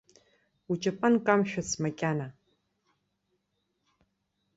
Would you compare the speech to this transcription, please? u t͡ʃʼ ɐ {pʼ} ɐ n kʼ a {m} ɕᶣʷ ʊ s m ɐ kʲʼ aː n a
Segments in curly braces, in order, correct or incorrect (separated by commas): correct, correct